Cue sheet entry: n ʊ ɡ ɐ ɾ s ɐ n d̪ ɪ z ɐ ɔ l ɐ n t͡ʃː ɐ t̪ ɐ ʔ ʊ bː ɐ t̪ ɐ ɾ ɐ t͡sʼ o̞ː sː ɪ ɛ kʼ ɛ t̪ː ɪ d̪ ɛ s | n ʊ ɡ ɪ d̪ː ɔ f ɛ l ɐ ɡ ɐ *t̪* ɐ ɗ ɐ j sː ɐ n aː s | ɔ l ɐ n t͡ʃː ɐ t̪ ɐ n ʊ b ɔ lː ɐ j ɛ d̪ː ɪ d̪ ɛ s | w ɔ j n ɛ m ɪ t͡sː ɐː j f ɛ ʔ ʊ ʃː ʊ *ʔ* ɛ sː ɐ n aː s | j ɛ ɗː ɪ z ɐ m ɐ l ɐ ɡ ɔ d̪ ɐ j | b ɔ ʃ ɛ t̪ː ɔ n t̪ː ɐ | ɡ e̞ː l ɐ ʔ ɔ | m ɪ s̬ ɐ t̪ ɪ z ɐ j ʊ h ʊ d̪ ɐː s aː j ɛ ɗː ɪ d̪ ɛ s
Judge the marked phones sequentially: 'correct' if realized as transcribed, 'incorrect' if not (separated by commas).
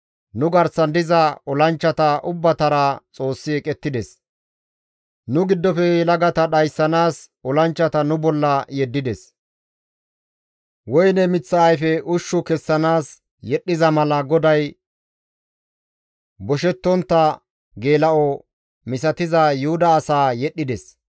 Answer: correct, incorrect